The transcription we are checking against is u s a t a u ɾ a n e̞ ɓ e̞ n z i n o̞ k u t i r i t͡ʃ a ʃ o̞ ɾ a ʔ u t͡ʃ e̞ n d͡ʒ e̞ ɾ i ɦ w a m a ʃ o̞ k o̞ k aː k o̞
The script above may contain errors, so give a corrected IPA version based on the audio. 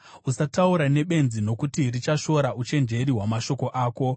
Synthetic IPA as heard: u s a t a u ɾ a n e̞ ɓ e̞ n z i n o̞ k u t i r i t͡ʃ a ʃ o̞ ɾ a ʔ u t͡ʃ e̞ n d͡ʒ e̞ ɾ i ɦ w a m a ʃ o̞ k o̞ ʔ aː k o̞